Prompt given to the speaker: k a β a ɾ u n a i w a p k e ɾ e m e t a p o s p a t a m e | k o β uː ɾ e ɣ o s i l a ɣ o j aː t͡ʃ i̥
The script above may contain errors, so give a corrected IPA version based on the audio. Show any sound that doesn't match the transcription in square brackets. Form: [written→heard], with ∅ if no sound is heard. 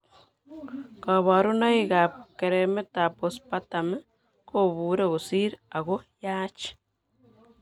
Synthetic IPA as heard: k a β a ɾ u n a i [w→ɣ] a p k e ɾ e m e t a p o s p a t a m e | k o β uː ɾ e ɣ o s i [l→ɾ] a ɣ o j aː t͡ʃ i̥